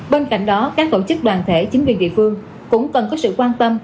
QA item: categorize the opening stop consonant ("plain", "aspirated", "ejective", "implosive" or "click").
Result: implosive